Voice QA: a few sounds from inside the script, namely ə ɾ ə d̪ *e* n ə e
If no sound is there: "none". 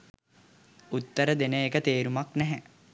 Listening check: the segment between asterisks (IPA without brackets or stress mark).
e